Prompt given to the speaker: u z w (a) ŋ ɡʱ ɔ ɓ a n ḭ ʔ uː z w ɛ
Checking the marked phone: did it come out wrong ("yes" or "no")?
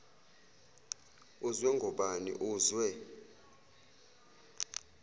yes